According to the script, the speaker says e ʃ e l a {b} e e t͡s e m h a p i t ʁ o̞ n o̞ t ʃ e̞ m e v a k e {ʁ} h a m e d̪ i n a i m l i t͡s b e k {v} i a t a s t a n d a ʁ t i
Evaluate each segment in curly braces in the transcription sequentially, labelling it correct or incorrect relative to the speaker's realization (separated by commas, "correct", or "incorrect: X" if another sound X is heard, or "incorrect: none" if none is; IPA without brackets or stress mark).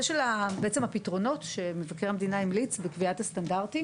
correct, correct, correct